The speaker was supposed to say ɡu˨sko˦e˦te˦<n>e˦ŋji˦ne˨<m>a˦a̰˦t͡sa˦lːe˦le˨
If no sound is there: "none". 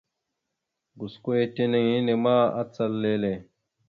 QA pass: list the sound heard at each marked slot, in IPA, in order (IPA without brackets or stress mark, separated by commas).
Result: n, m